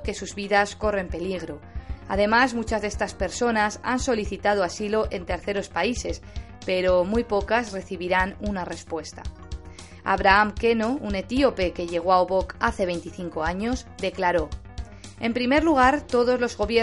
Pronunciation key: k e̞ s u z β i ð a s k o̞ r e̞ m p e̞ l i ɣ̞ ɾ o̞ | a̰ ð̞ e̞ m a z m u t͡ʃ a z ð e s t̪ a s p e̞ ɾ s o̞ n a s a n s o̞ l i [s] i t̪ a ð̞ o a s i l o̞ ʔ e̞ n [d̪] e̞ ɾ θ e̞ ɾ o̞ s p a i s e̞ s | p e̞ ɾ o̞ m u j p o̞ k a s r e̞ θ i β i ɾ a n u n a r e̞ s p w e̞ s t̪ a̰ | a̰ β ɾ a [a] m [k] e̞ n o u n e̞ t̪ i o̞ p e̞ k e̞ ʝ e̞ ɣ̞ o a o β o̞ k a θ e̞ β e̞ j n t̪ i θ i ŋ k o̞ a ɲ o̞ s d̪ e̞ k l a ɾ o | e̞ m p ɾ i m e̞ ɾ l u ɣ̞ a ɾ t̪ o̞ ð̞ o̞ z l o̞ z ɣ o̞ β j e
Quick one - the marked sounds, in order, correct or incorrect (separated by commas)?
incorrect, incorrect, correct, correct